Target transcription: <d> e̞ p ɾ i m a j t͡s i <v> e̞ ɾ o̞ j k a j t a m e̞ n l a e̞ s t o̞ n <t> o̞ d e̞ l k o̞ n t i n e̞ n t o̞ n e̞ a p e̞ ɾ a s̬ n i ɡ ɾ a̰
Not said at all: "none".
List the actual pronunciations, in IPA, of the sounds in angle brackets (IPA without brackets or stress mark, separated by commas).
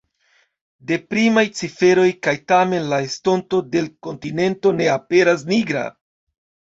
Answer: d, f, t